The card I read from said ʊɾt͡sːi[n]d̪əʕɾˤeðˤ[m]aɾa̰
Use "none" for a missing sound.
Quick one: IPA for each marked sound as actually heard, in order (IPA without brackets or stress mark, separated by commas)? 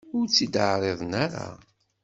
none, n